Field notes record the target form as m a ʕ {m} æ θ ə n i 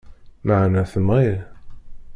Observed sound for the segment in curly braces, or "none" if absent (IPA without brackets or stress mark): n